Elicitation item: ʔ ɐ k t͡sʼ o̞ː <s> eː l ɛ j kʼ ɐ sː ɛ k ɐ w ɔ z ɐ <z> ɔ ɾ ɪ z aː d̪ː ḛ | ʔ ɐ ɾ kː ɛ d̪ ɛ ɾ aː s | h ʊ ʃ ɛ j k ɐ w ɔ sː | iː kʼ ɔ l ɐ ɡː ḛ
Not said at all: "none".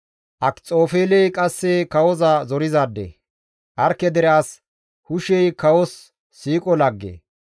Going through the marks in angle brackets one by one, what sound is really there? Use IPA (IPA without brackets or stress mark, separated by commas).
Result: f, z